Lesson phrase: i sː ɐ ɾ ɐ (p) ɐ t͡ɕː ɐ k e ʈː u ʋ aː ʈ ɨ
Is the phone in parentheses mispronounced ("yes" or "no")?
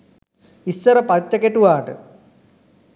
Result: no